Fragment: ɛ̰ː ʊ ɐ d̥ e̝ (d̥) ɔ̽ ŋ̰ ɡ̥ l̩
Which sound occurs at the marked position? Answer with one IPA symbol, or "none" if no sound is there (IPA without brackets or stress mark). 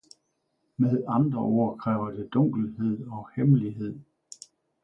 d̥